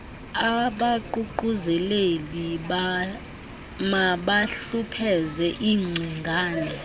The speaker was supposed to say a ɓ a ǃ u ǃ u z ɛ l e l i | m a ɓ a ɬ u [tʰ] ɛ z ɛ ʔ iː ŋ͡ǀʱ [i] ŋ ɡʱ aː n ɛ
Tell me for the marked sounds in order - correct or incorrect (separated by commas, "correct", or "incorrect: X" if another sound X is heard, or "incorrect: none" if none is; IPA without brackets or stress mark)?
incorrect: pʰ, correct